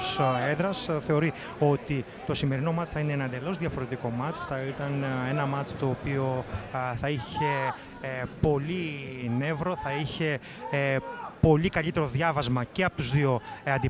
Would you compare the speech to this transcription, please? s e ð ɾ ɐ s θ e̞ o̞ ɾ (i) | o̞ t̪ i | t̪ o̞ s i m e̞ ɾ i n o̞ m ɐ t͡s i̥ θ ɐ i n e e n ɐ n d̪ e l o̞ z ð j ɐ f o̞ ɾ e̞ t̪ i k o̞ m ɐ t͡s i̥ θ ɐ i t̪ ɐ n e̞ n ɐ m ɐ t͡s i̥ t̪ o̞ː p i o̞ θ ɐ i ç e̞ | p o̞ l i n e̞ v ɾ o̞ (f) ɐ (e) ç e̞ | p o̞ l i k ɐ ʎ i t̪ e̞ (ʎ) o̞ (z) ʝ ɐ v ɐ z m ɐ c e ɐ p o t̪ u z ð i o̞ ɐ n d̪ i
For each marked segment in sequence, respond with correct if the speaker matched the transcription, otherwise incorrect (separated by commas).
correct, incorrect, incorrect, incorrect, incorrect